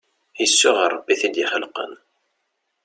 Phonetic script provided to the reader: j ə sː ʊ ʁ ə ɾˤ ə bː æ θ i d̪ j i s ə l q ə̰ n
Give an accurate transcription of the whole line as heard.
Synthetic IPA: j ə sː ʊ ʁ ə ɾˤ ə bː i θ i d̪ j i χ ə l q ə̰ n

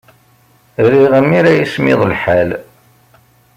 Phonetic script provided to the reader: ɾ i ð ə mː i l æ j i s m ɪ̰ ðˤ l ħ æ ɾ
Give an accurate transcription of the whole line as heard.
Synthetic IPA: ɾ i ʁ ə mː i ɾ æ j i s m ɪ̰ ðˤ l ħ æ l

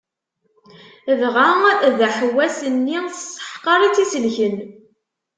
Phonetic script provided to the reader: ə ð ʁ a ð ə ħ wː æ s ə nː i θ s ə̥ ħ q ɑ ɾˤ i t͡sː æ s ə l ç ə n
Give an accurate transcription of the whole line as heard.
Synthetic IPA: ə ð ʁ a ð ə ħ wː æ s ə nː i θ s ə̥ ħ q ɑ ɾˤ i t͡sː i s ə l ç ə n

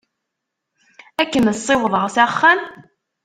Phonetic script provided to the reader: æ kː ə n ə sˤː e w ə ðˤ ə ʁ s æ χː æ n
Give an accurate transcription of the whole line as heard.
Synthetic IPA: æ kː ə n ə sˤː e w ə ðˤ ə ʁ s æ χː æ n

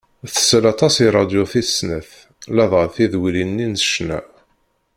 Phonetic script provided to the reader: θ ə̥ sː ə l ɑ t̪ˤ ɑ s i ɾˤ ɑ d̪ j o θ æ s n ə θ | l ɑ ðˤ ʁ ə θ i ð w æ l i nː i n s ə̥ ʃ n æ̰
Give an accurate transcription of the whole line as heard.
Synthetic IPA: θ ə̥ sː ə l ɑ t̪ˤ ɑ s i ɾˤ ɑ d̪ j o θ i s n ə θ | l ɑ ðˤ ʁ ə θ i ð w i l i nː i n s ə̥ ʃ n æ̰

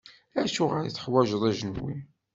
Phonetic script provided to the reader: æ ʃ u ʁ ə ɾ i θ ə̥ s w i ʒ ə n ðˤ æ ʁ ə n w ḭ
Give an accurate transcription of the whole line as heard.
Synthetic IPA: æ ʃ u ʁ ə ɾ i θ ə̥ ħ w æ ʒ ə ðˤ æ ʒ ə n w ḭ

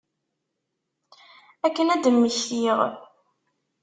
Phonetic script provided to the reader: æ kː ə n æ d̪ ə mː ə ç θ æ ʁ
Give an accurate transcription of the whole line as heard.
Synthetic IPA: æ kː ə n æ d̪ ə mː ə ç θ i ʁ

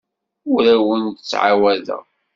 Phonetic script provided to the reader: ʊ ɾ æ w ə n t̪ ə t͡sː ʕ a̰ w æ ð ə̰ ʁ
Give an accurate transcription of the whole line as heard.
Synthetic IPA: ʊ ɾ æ w ə n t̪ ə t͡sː ʕ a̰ w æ ð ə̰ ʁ

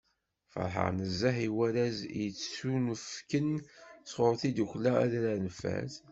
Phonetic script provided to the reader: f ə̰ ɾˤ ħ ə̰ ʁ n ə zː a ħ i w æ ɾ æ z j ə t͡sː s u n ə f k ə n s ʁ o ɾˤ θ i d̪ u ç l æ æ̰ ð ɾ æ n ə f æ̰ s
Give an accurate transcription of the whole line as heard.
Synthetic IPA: f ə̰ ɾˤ ħ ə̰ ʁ n ə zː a ħ i w æ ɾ æ z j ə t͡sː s u n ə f k ə n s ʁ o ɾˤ θ i d̪ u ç l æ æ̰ ð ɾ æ n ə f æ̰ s

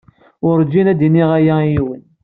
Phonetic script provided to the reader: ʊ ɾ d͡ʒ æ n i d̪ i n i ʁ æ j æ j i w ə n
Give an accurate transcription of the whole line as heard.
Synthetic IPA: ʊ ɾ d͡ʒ i n æ d̪ i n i ʁ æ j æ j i w ə n

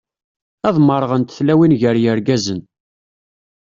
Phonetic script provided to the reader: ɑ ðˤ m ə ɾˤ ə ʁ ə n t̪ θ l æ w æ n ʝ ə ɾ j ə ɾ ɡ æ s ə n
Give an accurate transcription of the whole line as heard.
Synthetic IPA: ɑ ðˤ m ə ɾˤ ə ʁ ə n t̪ θ l æ w i n ʝ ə ɾ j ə ɾ ɡ æ z ə n

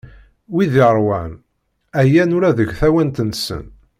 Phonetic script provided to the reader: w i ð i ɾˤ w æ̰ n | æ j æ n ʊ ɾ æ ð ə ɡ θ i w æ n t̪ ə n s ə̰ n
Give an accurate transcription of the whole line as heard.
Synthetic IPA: w i ð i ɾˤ w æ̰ n | æ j æ n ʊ ɾ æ ð ə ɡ θ æ w æ n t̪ ə n s ə̰ n

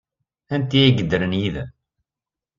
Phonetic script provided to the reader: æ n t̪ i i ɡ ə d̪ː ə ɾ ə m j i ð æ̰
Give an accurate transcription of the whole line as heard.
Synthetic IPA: æ n t̪ i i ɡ ə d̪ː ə ɾ ə n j i ð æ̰

